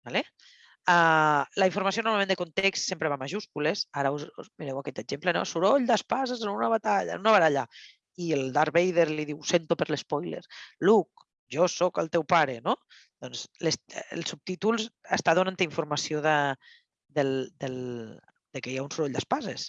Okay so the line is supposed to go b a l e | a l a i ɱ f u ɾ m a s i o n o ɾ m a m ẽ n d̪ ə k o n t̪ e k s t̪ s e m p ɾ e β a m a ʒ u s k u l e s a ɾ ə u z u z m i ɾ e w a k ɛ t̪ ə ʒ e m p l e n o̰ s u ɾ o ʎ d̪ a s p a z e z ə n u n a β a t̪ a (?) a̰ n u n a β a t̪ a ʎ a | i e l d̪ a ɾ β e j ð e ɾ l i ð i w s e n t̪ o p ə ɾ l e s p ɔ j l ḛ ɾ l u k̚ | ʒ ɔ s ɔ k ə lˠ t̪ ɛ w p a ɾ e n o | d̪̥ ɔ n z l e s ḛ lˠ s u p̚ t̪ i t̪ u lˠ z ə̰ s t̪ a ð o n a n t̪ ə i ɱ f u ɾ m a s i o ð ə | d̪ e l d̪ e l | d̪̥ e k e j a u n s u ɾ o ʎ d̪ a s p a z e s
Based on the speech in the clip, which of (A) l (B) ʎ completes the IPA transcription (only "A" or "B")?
B